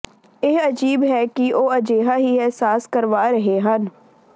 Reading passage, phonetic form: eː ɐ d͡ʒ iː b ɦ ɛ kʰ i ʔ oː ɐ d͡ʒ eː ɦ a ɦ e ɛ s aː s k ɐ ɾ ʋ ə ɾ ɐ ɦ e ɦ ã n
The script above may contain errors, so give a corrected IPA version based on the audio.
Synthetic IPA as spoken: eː ɐ d͡ʒ iː b ɦ ɛ k i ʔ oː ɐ d͡ʒ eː ɦ a ɦ i ɛ s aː s k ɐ ɾ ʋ a ɾ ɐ ɦ e ɦ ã n